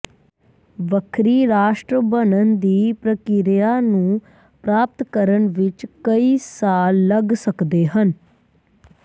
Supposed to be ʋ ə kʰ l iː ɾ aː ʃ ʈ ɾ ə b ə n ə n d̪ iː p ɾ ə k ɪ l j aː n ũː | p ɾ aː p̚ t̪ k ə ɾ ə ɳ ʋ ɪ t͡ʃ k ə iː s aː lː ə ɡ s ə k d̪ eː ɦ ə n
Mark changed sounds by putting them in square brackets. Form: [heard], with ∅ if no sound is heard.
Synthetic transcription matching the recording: ʋ ə kʰ [ɾ] iː ɾ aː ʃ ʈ ɾ ə b ə n ə n d̪ iː p ɾ ə k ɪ [ɾ] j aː n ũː | p ɾ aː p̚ t̪ k ə ɾ ə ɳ ʋ ɪ t͡ʃ k ə iː s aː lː ə ɡ s ə k d̪ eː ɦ ə n